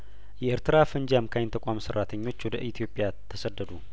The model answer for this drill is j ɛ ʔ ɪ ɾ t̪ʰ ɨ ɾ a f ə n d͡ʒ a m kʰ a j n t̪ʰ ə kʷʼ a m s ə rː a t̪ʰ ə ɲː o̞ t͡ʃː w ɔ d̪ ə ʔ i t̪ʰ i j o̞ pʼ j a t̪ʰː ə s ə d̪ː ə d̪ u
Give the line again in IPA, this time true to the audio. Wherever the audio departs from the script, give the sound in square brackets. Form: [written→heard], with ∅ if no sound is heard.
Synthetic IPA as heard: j ɛ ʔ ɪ ɾ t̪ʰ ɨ ɾ a f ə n d͡ʒ a m kʰ a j n t̪ʰ ə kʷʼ a m s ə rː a t̪ʰ ə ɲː o̞ t͡ʃː w ɔ d̪ ə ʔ i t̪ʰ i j o̞ pʼ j a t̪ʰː ə s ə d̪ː ə d̪ u